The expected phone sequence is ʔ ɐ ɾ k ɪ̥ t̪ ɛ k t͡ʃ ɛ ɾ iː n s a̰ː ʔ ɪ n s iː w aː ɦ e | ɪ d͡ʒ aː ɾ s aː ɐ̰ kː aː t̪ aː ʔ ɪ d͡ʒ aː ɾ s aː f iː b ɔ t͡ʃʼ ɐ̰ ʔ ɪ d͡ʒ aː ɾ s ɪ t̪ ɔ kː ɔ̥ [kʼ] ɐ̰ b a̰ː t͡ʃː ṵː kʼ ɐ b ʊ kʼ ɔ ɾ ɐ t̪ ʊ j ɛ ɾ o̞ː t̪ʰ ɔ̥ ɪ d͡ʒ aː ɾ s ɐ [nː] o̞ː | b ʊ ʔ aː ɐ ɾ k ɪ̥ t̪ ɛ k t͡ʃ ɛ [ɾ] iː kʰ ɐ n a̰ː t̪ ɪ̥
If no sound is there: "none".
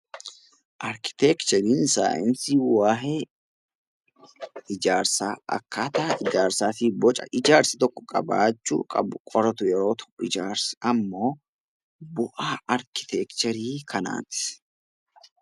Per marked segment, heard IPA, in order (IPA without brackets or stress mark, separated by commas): kʼ, mː, ɾ